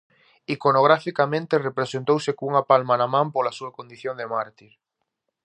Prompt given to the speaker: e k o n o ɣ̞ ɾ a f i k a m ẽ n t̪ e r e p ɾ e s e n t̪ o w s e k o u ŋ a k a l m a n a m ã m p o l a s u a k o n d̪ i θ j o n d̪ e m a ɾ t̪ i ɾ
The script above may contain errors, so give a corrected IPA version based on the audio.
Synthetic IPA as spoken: i k o n o ɣ̞ ɾ a f i k a m ẽ n t̪ e r e p ɾ e s e n t̪ o w s e k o u ŋ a p a l m a n a m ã m p o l a s u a k o n d̪ i θ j o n d̪ e m a ɾ t̪ i ɾ